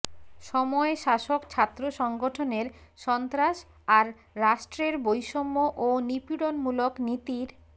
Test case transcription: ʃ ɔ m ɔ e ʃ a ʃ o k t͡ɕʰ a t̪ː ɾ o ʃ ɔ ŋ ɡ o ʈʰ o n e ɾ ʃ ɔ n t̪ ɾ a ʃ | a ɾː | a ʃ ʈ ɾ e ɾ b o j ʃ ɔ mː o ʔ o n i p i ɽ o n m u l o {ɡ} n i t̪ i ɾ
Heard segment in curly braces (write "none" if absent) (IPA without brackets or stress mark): k